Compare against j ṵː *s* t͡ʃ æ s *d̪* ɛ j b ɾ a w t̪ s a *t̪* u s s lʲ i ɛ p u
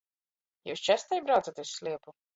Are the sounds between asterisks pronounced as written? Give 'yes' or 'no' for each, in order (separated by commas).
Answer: yes, no, yes